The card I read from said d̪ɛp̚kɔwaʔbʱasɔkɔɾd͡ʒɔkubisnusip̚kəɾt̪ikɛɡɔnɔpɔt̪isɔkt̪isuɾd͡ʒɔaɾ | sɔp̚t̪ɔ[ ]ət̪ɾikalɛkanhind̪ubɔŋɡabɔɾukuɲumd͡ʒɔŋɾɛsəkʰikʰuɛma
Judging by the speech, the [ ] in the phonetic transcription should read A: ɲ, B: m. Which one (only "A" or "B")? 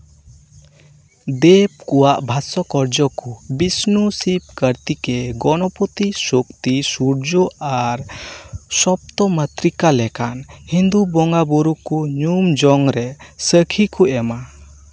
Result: B